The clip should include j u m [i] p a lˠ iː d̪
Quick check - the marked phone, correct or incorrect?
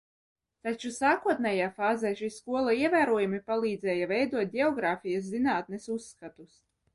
correct